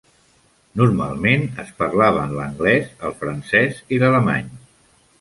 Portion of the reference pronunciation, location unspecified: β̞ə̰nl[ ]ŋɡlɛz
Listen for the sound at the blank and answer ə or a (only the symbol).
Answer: ə